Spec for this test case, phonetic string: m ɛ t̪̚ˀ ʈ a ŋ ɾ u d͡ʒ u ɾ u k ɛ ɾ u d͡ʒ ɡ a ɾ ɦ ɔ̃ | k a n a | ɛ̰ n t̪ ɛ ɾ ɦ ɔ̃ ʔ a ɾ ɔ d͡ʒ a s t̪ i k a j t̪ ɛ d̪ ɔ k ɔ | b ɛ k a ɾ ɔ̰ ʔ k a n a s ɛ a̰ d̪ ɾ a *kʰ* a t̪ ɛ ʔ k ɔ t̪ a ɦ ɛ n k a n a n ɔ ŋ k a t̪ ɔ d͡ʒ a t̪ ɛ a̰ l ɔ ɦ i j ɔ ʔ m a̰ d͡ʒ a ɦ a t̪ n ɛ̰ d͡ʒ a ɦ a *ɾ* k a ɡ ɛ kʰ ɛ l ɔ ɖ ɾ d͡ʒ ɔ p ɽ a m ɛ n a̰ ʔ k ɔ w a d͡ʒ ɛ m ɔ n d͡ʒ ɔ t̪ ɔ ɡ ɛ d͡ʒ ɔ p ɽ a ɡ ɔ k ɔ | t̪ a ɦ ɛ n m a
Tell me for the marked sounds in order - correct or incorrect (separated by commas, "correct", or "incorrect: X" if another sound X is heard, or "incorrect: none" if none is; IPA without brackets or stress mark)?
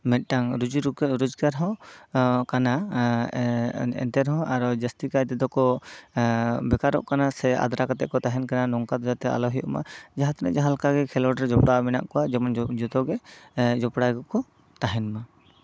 incorrect: k, incorrect: l